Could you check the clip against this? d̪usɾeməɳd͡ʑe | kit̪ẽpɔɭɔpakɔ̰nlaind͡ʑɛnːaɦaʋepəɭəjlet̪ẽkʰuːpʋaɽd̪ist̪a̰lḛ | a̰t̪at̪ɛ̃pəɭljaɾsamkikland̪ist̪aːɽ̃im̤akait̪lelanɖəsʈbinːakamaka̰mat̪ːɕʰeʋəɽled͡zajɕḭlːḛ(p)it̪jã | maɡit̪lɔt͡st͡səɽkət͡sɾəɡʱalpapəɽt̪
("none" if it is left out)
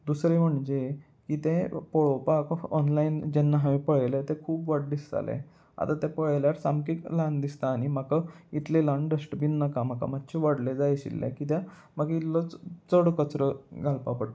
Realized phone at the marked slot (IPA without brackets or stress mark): k